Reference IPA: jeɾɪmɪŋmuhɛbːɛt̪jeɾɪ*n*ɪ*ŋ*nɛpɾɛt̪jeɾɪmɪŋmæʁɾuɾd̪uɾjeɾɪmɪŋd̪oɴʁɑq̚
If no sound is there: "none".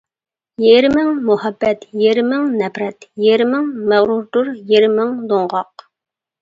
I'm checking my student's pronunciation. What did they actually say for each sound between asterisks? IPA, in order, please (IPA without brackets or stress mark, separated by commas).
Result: m, ŋ